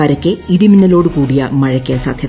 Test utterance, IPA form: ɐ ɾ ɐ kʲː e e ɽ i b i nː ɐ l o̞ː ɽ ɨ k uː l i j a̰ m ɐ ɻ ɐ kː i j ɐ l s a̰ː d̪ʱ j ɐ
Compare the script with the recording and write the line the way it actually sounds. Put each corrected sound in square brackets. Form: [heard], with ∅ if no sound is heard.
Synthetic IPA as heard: ɐ ɾ ɐ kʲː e [i] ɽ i [m] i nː ɐ l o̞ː ɽ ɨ k uː [ɽ] i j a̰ m ɐ ɻ ɐ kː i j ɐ [∅] s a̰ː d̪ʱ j ɐ